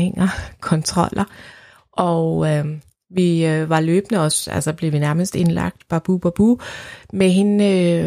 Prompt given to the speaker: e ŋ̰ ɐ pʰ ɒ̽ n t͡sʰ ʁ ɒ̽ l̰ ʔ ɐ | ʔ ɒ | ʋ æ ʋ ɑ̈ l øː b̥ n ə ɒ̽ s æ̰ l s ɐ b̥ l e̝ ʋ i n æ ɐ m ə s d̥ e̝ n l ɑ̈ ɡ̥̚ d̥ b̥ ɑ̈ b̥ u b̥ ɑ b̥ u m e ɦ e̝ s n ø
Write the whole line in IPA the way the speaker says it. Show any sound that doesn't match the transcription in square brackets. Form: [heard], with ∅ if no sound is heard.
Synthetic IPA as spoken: e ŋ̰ ɐ [kʰ] ɒ̽ n t͡sʰ ʁ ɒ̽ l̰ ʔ ɐ | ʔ ɒ | ʋ [i] ʋ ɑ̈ l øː b̥ n ə ɒ̽ s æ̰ l s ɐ b̥ l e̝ ʋ i n æ ɐ m ə s d̥ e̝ n l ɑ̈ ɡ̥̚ d̥ b̥ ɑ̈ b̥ u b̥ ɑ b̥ u m e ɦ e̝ [∅] n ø